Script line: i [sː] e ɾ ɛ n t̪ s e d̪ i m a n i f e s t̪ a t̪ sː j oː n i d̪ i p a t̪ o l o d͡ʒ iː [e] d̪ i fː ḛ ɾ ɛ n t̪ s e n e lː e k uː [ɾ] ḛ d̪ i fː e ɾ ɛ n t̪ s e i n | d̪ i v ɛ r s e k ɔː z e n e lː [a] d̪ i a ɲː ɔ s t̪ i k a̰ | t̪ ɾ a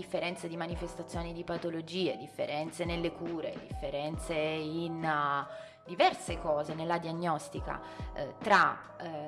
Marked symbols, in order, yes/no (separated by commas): no, yes, yes, yes